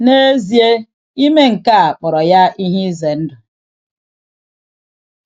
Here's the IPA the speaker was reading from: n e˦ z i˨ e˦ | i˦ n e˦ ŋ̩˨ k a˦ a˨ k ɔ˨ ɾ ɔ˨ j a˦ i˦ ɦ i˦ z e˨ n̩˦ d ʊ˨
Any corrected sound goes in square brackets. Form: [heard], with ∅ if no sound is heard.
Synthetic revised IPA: n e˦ z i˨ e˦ | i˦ [m] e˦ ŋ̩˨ k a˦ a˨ [k͡p] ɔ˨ ɾ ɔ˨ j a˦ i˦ ɦ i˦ z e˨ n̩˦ d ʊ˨